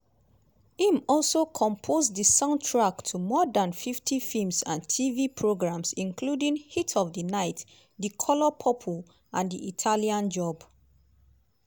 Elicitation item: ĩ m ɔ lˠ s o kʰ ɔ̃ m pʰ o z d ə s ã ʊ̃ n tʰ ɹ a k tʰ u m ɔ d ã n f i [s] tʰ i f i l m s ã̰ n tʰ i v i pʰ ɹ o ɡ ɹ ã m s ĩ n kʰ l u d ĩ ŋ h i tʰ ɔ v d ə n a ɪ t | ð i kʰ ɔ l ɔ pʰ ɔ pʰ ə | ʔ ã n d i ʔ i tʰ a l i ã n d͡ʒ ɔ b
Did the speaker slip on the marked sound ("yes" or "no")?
yes